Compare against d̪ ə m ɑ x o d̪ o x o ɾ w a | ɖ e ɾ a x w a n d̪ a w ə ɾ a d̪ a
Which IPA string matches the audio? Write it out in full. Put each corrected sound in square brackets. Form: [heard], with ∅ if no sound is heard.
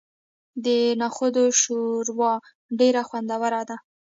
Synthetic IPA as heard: d̪ ə [n] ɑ x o d̪ o [ʃ] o ɾ w [ɑ] | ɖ e ɾ a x w a n d̪ a w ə ɾ a d̪ a